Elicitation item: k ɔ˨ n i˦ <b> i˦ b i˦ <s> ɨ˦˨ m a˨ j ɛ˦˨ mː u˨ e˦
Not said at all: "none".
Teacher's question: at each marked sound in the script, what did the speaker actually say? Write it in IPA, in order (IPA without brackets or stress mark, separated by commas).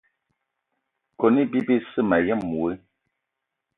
b, s